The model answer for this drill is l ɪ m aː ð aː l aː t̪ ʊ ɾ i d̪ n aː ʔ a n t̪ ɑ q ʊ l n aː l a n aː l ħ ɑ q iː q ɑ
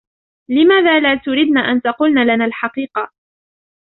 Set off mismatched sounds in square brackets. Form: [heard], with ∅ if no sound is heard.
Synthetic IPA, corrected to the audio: l ɪ m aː ð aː l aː t̪ ʊ ɾ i d̪ n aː ʔ a n t̪ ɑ q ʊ l n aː l a n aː l ħ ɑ q iː q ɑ